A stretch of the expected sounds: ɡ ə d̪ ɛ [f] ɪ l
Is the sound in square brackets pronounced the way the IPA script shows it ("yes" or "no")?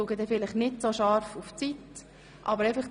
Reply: yes